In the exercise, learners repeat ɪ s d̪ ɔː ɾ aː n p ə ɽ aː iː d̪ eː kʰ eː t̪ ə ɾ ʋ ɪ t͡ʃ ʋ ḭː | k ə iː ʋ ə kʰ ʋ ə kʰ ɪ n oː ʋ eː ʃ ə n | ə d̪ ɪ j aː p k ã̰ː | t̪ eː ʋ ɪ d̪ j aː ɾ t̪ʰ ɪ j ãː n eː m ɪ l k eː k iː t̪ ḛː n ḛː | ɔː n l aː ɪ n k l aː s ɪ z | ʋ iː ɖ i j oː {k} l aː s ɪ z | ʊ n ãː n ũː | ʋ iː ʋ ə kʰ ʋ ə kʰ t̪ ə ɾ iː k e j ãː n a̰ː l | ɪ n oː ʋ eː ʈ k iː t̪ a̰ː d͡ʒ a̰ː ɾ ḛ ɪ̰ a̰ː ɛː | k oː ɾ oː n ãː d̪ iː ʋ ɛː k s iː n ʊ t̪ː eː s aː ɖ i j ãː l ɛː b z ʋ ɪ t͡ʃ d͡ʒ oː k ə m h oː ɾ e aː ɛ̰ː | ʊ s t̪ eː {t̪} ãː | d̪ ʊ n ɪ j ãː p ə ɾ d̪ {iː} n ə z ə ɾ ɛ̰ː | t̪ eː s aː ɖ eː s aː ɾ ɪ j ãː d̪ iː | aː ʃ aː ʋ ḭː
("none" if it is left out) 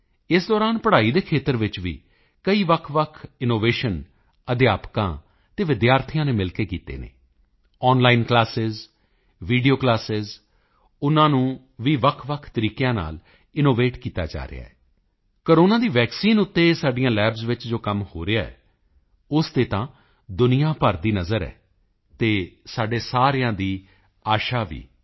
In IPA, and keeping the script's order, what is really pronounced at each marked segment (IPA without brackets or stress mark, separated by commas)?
k, t̪, iː